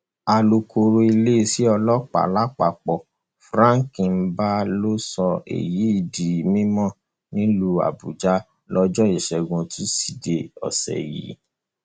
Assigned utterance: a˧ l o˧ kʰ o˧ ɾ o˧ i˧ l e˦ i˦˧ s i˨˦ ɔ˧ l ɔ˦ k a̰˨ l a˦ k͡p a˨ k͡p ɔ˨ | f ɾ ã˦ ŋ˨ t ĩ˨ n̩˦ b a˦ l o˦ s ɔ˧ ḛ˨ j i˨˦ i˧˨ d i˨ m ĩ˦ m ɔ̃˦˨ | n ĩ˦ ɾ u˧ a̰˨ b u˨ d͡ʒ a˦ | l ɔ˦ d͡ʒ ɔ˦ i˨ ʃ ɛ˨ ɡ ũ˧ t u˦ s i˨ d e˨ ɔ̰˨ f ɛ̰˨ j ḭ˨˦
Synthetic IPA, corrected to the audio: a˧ l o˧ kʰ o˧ ɾ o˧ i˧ l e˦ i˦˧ s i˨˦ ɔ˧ l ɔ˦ k͡p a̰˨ l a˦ k͡p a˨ k͡p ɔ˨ | f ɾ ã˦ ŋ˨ k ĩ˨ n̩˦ b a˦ l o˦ s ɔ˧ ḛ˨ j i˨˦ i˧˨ d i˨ m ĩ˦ m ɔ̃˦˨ | n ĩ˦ l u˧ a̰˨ b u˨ d͡ʒ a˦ | l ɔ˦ d͡ʒ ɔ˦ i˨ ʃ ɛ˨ ɡ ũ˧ t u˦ s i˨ d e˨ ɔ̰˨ s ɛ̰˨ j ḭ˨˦